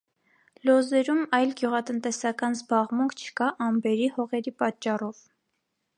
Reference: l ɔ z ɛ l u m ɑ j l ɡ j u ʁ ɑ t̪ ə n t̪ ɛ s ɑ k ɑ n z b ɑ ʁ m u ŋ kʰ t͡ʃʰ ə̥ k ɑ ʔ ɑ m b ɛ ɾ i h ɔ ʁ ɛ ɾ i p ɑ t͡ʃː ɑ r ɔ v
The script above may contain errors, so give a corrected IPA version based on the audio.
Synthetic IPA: l ɔ z ɛ ɾ u m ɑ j l ɡ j u ʁ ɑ t̪ ə n t̪ ɛ s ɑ k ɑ n z b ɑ ʁ m u ŋ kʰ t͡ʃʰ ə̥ k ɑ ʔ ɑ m b ɛ ɾ i h ɔ ʁ ɛ ɾ i p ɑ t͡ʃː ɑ r ɔ v